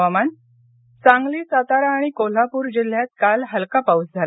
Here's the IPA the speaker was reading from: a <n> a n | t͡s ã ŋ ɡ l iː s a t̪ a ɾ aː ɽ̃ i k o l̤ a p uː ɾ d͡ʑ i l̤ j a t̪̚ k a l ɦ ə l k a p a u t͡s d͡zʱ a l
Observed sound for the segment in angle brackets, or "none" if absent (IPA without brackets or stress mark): m